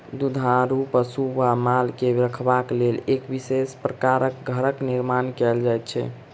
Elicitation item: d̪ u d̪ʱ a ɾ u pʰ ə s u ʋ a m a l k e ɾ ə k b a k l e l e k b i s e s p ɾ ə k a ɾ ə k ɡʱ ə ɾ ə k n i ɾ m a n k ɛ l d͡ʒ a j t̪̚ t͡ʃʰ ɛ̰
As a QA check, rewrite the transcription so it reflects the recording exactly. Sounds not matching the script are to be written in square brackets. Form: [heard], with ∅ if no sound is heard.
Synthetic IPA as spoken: d̪ u d̪ʱ a ɾ u [p] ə s u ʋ a m a l k e ɾ ə [kʰ] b a k l e l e k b i s e s p ɾ ə k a ɾ ə k ɡʱ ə ɾ ə k n i ɾ m a n k ɛ l d͡ʒ a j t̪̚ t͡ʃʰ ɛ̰